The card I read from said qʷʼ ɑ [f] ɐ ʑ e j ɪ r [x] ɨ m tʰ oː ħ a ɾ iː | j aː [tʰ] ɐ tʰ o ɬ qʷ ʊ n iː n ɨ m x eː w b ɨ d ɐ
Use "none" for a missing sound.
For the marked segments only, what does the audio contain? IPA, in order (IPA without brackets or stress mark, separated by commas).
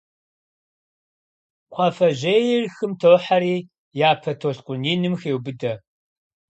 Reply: f, x, pʰ